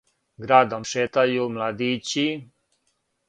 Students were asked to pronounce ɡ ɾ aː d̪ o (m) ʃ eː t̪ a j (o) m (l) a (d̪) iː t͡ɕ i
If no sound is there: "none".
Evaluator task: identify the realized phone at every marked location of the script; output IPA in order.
m, u, l, d̪

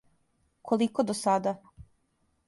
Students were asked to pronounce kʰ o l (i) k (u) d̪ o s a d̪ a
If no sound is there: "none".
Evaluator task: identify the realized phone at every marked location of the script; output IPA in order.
i, o

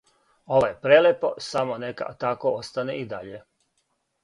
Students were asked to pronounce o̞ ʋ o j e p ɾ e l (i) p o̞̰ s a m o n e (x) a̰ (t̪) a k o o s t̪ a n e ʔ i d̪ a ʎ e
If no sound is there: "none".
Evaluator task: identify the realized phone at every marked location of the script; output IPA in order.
e, k, t̪

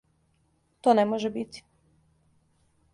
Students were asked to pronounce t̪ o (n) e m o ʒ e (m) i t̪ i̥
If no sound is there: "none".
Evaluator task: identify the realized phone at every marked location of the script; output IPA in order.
n, b

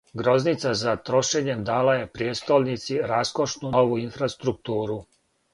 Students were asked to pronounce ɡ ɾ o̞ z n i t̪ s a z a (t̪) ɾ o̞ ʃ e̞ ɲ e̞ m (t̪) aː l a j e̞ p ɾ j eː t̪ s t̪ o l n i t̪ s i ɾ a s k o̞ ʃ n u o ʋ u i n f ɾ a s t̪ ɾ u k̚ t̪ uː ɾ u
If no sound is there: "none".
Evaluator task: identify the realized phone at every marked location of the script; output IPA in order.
t̪, d̪

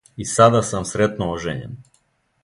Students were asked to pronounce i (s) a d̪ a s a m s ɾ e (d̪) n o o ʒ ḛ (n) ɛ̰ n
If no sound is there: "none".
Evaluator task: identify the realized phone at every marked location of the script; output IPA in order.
s, t̪, ɲ

